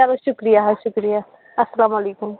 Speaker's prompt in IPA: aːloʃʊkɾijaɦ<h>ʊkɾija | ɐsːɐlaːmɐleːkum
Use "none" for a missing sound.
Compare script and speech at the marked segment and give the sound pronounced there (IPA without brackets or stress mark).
ʃ